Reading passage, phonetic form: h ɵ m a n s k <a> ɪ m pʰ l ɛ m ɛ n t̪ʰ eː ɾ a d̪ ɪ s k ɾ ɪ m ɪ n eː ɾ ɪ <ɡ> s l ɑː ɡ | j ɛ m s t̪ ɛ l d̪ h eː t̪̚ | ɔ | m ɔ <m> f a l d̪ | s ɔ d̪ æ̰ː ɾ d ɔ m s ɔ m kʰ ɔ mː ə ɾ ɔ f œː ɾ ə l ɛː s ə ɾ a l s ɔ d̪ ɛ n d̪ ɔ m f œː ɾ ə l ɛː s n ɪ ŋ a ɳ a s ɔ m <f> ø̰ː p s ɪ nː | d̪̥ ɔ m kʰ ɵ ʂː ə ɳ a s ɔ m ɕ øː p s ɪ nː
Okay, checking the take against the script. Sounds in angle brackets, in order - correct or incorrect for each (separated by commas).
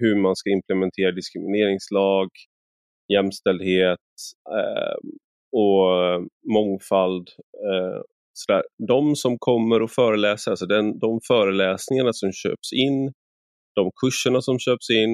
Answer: correct, incorrect, incorrect, incorrect